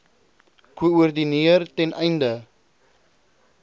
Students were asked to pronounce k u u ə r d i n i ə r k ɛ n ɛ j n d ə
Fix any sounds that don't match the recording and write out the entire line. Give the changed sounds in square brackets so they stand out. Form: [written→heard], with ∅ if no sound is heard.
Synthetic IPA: k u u ə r d i n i ə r [k→t] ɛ n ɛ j n d ə